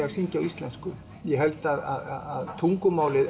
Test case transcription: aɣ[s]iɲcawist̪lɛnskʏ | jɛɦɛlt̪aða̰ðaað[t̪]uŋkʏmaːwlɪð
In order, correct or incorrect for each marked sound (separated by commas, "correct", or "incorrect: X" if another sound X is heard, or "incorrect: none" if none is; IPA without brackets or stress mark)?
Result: correct, incorrect: t̪ʰ